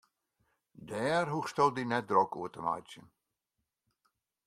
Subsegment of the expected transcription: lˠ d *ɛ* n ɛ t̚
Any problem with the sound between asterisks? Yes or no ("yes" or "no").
yes